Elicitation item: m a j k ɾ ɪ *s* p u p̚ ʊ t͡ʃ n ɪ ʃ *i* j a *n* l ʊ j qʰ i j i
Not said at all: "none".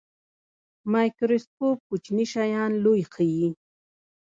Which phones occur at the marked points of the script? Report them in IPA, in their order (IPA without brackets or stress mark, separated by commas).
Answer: s, a, n